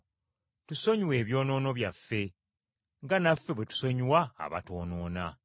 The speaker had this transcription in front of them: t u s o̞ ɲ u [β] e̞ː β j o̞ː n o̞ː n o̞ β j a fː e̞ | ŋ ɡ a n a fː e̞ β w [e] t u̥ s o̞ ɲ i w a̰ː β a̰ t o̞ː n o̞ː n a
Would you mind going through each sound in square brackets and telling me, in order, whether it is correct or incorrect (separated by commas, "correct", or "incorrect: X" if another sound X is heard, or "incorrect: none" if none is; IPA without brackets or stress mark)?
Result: incorrect: w, correct